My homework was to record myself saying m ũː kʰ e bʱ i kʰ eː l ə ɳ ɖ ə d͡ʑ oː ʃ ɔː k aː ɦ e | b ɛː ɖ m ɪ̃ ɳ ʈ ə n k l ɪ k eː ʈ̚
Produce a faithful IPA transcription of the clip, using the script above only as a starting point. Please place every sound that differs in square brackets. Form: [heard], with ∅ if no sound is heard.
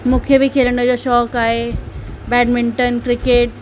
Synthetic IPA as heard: m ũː kʰ e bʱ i kʰ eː l ə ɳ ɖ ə d͡ʑ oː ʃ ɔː k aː ɦ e | b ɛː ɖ m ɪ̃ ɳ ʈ ə n k [ɾ] ɪ k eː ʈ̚